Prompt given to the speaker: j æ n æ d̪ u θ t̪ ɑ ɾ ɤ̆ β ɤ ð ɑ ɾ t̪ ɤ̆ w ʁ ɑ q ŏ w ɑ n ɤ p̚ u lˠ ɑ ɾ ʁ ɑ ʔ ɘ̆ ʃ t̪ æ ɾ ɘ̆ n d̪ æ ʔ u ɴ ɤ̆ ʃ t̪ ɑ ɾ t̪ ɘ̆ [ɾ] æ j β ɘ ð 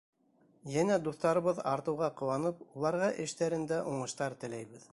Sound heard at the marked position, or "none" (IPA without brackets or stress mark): l